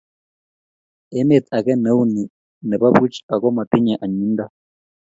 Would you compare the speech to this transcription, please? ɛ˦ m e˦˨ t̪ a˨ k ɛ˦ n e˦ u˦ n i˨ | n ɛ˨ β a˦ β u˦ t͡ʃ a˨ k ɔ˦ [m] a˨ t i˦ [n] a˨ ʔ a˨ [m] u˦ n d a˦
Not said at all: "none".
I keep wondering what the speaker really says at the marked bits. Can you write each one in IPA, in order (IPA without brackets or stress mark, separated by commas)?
m, ɲ, ɲ